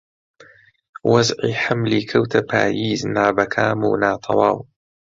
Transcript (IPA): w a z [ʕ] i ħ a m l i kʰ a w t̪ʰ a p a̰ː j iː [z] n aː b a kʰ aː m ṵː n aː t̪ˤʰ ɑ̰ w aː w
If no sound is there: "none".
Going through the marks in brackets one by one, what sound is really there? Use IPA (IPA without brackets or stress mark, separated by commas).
ʕ, z